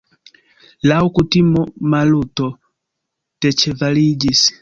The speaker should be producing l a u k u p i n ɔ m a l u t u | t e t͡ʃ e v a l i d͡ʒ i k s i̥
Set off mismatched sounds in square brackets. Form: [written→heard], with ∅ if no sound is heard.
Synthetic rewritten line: l a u k u [p→t] i [n→m] ɔ m a l u t [u→ɔ] | t [e→ɛ] t͡ʃ [e→ɛ] v a l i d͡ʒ i [k→∅] s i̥